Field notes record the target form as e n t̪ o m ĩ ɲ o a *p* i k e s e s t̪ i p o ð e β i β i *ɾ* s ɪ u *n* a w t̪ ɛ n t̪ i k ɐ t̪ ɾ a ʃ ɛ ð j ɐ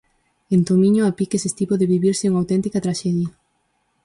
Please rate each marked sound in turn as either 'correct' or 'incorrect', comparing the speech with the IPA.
correct, correct, incorrect: ŋ

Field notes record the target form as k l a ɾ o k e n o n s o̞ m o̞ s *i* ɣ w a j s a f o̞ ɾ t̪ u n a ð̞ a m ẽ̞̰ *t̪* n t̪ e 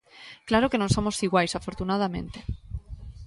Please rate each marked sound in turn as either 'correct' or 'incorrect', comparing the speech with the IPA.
correct, incorrect: none

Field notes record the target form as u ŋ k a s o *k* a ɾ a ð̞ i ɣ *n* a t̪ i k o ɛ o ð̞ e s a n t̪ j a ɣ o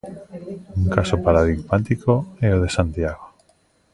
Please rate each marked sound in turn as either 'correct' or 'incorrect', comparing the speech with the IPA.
incorrect: p, incorrect: m

